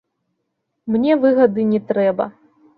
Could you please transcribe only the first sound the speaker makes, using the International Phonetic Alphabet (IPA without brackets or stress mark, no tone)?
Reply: m